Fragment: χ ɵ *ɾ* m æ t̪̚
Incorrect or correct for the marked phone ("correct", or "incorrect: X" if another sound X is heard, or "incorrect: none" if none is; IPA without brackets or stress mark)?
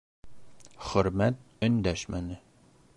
correct